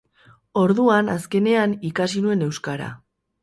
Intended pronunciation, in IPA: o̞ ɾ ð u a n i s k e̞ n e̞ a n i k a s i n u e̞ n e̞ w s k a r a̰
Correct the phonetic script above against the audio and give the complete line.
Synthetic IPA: o̞ ɾ ð u a n a s k e̞ n e̞ a n i k a s i n u e̞ n e̞ w s k a ɾ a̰